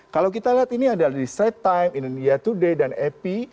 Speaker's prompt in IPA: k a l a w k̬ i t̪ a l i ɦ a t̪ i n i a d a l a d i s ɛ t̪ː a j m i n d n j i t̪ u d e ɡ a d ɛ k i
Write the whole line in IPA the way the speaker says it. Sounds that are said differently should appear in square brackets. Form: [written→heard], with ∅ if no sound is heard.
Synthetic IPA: k a l a w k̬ i t̪ a l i ɦ a t̪ i n i a d a l a d i s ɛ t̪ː a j m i n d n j [i→a] t̪ u d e [ɡ→d] a [d→n] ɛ [k→p] i